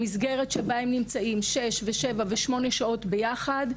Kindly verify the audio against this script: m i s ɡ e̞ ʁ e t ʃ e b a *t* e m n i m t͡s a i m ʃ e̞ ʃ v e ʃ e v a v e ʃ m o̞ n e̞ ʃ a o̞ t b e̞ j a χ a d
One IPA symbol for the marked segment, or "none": none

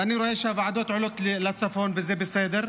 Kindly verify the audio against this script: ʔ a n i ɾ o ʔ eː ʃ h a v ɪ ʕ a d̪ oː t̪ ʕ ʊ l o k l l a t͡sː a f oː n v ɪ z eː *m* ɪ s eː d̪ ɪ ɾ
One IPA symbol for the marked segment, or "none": b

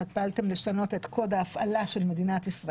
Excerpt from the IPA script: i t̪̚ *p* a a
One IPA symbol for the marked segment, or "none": p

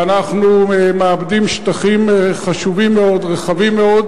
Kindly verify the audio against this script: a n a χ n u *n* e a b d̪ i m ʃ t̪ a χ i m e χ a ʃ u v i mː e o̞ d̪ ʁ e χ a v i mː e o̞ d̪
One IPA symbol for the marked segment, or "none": m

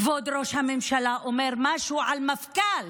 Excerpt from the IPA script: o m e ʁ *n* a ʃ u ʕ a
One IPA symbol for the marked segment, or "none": m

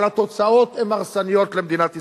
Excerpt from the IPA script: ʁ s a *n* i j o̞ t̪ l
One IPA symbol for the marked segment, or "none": n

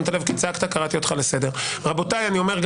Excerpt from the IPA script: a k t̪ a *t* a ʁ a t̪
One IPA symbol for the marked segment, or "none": k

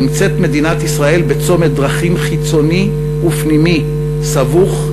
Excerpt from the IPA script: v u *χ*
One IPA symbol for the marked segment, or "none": χ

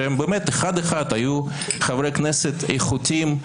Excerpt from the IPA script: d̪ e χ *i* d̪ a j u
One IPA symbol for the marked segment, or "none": a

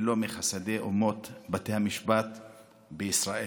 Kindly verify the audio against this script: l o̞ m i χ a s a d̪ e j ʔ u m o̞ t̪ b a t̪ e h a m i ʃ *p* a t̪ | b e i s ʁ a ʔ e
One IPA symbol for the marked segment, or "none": b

